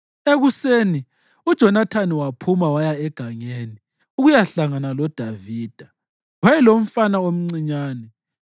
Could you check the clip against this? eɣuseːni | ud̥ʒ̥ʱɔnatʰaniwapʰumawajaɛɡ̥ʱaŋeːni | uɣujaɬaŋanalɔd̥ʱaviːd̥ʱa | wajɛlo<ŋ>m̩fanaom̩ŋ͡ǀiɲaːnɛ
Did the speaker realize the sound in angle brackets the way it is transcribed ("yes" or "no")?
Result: no